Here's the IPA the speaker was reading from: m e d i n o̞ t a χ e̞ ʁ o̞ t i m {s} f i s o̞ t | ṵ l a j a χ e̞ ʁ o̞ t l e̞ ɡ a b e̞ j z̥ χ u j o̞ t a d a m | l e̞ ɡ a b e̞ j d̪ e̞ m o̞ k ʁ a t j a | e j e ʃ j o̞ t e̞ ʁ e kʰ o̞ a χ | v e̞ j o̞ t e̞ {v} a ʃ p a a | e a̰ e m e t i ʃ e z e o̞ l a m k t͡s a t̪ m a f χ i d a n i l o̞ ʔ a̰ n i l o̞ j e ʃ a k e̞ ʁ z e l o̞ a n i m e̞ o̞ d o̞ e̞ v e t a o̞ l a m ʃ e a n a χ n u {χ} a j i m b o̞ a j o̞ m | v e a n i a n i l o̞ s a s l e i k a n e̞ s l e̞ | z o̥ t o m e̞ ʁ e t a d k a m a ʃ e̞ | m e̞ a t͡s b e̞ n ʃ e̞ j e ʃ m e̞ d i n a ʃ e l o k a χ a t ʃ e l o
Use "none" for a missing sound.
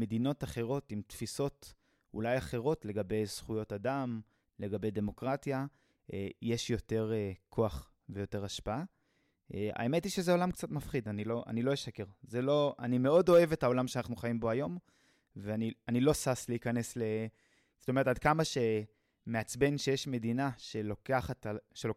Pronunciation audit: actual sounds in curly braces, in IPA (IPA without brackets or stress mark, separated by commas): t, ʁ, χ